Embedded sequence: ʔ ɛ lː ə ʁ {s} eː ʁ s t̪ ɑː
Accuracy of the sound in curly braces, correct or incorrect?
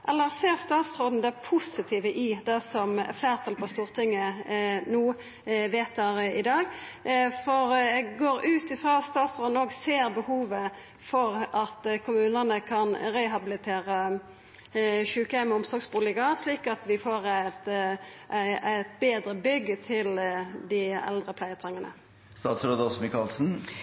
correct